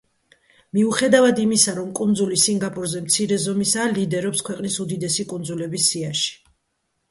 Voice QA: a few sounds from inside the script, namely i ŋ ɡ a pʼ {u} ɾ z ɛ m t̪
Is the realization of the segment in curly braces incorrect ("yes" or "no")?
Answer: no